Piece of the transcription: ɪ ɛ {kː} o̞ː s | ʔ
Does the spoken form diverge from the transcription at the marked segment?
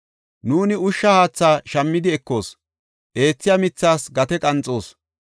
no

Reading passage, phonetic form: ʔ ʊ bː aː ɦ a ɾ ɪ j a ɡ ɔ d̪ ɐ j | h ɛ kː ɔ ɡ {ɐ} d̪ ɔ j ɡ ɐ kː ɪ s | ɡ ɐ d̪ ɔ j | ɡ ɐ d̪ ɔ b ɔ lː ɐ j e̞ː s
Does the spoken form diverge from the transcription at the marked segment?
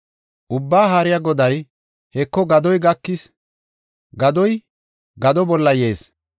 no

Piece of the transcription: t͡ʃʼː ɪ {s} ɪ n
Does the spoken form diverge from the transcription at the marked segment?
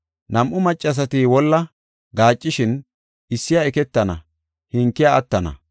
yes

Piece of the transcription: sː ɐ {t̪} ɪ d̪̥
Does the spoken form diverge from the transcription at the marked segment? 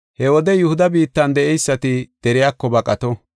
no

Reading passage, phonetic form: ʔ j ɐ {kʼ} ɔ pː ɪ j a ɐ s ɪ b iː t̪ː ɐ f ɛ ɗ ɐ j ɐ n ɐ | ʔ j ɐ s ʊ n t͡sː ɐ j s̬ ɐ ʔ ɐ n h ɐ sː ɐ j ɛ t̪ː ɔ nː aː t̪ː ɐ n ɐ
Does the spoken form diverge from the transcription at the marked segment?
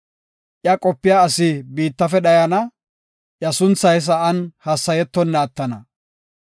no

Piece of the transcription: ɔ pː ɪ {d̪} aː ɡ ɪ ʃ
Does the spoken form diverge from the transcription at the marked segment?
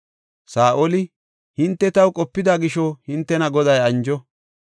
no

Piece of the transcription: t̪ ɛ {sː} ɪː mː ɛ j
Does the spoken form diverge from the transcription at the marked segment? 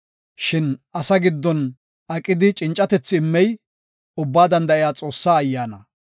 yes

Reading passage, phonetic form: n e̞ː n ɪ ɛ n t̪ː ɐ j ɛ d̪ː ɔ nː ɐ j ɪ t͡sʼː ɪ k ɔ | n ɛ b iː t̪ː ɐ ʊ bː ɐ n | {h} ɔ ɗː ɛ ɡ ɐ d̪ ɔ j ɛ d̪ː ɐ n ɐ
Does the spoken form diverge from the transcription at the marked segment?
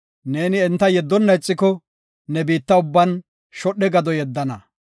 yes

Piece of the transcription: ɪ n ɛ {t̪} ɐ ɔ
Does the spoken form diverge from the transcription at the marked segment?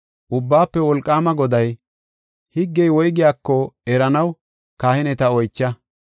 no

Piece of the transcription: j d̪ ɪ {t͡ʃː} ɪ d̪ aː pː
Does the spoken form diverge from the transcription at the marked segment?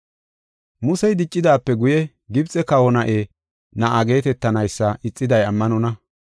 yes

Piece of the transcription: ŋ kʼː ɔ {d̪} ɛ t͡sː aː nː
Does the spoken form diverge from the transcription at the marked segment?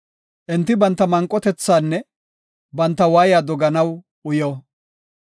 yes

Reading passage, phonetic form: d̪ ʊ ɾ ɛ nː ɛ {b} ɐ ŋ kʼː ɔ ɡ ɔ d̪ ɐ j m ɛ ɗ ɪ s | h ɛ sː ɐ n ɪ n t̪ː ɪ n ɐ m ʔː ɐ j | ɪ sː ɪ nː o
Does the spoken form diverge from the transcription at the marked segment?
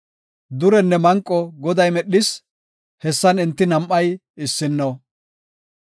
yes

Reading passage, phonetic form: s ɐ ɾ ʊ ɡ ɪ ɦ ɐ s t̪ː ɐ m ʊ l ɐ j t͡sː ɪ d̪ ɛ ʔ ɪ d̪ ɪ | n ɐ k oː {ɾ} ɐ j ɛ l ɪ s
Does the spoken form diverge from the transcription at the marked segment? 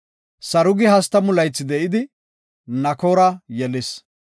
no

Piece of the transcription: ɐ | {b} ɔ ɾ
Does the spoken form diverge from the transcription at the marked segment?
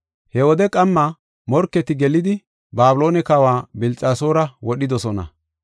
yes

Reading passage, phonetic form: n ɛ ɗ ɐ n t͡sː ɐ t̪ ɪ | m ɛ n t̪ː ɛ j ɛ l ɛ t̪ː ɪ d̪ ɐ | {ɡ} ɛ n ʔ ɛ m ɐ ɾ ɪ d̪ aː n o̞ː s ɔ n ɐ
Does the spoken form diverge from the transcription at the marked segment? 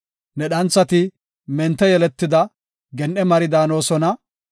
no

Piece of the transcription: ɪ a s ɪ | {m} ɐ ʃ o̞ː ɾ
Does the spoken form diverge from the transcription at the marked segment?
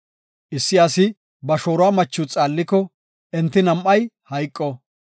yes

